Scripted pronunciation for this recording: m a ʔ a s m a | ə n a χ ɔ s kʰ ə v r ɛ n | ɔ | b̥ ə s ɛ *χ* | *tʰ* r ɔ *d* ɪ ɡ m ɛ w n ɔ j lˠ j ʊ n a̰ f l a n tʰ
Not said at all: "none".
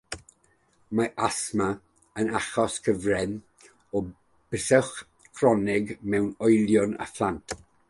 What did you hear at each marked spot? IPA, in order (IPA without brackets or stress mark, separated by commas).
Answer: χ, kʰ, n